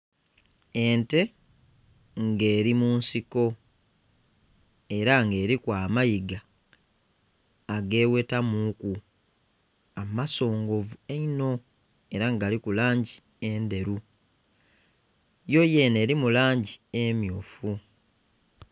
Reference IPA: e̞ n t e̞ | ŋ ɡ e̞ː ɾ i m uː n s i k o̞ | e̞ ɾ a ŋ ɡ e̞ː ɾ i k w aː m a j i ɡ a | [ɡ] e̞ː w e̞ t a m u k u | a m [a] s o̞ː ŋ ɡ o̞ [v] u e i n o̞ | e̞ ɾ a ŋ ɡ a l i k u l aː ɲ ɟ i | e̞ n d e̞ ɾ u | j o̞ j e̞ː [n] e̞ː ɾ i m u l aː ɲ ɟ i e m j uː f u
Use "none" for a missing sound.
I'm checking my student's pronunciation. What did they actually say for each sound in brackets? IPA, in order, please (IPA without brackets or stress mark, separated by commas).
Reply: ɡ, a, v, n